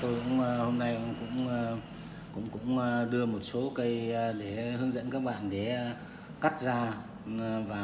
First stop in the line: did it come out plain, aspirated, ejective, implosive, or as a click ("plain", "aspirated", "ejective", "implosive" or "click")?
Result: plain